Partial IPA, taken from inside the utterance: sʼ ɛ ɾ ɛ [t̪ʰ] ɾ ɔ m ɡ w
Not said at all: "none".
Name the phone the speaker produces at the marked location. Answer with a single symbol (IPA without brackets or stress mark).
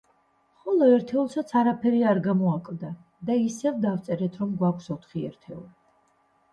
t̪ʰ